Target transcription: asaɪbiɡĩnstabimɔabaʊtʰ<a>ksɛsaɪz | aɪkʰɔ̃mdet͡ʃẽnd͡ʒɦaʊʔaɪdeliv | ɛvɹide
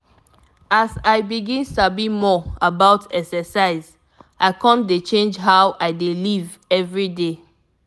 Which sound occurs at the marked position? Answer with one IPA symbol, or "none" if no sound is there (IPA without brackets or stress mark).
ɛ